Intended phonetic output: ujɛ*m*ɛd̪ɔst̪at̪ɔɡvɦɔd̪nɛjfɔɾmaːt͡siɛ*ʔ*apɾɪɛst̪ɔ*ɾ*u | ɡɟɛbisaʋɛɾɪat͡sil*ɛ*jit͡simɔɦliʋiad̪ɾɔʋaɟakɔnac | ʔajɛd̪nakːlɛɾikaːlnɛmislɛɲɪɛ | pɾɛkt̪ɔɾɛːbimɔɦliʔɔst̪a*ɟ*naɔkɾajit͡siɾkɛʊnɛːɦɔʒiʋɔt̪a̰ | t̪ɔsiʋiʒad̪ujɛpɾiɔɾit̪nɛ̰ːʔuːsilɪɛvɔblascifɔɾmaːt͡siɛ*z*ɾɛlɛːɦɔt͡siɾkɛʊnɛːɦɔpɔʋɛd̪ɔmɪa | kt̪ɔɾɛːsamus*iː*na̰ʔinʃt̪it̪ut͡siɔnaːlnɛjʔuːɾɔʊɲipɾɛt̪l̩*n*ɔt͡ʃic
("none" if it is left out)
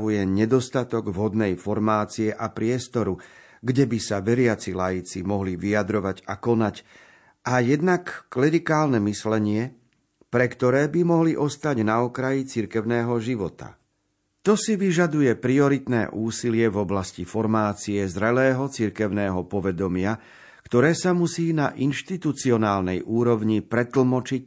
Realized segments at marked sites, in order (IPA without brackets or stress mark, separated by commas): ɲ, ʔ, ɾ, a, ɟ, z, iː, m